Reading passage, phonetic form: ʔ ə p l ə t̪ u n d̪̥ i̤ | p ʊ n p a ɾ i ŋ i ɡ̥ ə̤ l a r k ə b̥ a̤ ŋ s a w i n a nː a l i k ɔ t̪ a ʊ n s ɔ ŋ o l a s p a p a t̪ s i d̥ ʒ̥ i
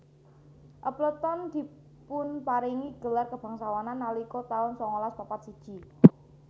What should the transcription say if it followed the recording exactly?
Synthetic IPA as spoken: ʔ ə p l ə t̪ ɔ n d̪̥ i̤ | p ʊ n p a ɾ i ŋ i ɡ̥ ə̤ l a r k ə b̥ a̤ ŋ s a w a n a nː a l i k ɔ t̪ a ʊ n s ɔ ŋ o l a s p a p a t̪ s i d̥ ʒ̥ i